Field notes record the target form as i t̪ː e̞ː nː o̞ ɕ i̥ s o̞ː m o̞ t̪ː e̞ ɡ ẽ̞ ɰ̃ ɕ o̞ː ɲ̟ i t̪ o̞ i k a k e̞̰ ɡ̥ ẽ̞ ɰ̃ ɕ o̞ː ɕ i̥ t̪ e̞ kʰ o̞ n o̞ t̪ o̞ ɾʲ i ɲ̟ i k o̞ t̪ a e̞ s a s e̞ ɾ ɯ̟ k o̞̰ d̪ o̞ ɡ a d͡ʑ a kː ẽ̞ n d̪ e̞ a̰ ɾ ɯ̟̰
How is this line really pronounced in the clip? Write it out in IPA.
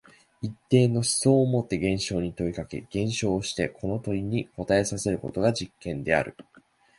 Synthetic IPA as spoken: i t̪ː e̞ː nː o̞ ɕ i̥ s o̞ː m o̞ t̪ː e̞ ɡ ẽ̞ ɰ̃ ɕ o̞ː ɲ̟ i t̪ o̞ i k a k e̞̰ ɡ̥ ẽ̞ ɰ̃ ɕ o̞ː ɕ i̥ t̪ e̞ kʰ o̞ n o̞ t̪ o̞ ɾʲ i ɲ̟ i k o̞ t̪ a e̞ s a s e̞ ɾ ɯ̟ k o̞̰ t̪ o̞ ɡ a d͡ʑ i kː ẽ̞ n d̪ e̞ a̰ ɾ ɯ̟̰